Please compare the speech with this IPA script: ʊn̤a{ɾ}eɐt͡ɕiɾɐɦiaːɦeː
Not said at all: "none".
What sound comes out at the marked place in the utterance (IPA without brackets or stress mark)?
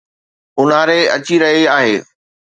ɾ